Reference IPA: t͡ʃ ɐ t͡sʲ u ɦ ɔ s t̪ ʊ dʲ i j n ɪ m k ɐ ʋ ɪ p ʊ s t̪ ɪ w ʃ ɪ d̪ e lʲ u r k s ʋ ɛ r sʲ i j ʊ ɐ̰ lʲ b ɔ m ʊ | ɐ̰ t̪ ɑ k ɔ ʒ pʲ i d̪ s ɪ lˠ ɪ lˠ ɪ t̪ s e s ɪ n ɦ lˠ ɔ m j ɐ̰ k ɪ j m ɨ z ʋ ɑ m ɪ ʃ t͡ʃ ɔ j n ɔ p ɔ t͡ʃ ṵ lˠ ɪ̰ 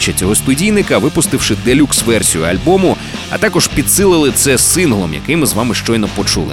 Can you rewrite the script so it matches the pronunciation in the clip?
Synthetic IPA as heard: t͡ʃ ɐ t͡sʲ ɔ ɦ ɔ s t̪ ʊ dʲ i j n ɪ k ɐ ʋ ɪ p ʊ s t̪ ɪ w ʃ ɪ d̪ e lʲ u k s ʋ ɛ r sʲ i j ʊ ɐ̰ lʲ b ɔ m ʊ | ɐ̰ t̪ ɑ k ɔ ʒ pʲ i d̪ s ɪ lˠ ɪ lˠ ɪ t̪ s ɛ s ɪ n ɦ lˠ ɔ m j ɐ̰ k ɪ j m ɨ z ʋ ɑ m ɪ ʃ t͡ʃ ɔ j n ɔ p ɔ t͡ʃ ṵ lˠ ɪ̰